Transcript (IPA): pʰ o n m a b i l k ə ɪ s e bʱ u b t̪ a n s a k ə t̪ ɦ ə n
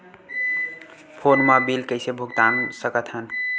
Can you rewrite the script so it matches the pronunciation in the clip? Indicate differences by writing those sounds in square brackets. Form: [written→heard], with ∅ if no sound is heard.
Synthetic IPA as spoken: pʰ o n m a b i l k ə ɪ s e bʱ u [b→ɡ] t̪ a n s [a→ə] k ə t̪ ɦ ə n